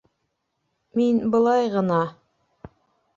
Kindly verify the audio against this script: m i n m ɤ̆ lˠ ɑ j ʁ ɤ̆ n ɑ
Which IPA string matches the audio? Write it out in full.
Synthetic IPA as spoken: m i n b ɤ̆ lˠ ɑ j ʁ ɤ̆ n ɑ